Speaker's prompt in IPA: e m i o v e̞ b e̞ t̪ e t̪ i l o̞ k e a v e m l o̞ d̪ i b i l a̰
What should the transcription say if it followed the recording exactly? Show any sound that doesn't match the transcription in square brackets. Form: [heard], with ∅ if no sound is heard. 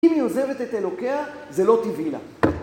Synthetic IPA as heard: [i] m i o [z] e̞ [v] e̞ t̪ e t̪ [e] l o̞ k e a [z] e [∅] l o̞ [t̪] i [v] i l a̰